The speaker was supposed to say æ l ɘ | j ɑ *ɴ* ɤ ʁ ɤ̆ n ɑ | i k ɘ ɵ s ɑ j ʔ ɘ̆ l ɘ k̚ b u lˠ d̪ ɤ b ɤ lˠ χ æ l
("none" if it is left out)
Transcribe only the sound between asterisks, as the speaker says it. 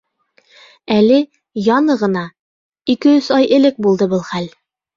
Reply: n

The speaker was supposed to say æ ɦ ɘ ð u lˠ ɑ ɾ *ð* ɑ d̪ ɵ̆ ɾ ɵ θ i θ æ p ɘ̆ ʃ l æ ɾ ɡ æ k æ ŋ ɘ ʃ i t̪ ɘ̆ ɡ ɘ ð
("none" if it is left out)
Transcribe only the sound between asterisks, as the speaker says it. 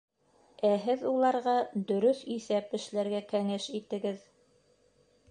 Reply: ʁ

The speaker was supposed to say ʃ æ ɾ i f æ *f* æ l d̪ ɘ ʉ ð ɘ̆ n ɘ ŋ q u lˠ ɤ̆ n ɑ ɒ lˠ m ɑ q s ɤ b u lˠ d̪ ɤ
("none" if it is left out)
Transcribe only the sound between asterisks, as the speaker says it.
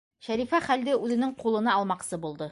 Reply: χ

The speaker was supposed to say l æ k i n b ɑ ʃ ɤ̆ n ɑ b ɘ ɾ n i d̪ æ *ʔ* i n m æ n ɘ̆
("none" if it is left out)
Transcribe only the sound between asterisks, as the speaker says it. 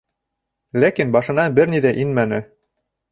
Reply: ʔ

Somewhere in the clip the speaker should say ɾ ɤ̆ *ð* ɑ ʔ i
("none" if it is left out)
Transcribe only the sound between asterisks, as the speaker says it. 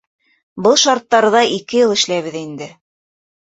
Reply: ð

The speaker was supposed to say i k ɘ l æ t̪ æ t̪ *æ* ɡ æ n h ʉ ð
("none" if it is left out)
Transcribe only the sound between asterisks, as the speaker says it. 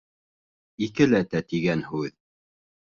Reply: i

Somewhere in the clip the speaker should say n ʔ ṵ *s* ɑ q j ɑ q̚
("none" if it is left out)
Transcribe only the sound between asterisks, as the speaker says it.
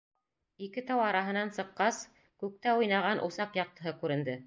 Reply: s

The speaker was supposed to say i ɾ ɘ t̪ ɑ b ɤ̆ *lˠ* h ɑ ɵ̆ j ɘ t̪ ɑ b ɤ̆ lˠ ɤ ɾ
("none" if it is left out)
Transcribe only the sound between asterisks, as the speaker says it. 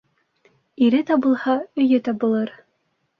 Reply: lˠ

